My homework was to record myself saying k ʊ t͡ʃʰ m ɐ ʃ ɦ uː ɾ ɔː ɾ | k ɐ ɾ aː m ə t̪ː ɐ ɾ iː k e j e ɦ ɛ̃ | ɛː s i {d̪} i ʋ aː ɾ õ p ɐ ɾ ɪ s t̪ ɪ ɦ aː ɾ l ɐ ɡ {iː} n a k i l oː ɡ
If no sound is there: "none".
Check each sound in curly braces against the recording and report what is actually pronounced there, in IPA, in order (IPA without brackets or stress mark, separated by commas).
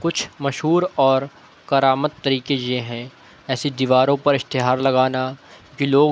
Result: d̪, aː